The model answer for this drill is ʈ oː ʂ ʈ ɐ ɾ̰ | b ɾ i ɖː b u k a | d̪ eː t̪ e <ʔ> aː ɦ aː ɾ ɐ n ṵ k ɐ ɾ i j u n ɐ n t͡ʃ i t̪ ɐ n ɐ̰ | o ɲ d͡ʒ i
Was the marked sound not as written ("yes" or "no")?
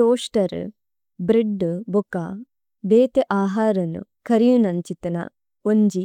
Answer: no